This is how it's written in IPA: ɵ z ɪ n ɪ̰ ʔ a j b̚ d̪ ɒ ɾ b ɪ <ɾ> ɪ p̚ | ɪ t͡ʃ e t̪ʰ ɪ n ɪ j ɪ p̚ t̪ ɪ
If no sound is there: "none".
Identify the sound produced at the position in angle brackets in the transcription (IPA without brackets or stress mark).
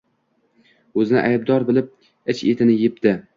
l